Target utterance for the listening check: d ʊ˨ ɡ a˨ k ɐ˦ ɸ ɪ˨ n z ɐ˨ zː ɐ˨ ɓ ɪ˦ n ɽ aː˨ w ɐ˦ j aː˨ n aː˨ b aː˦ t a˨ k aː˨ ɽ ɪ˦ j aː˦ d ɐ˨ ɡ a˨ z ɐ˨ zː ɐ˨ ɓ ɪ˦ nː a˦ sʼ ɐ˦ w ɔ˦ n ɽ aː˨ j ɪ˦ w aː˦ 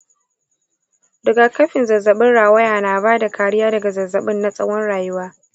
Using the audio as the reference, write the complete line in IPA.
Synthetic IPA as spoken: d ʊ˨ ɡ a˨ k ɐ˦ ɸ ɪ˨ n z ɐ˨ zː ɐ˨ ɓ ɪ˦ n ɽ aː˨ w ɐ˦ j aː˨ n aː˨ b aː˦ d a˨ k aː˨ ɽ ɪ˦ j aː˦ d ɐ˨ ɡ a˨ z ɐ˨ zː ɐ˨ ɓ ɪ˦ nː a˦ sʼ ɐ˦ w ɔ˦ n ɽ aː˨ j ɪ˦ w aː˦

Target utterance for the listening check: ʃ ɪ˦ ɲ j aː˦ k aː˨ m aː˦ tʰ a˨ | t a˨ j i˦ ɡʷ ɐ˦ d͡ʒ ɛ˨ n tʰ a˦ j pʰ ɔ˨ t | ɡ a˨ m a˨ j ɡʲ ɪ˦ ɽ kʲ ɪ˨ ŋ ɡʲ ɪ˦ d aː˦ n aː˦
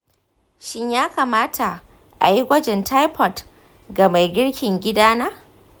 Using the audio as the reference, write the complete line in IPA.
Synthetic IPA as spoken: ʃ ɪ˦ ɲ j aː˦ k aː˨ m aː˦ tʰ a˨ | ʔ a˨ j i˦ ɡʷ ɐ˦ d͡ʒ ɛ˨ n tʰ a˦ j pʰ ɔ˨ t | ɡ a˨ m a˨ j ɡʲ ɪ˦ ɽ kʲ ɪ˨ ŋ ɡʲ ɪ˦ d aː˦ n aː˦

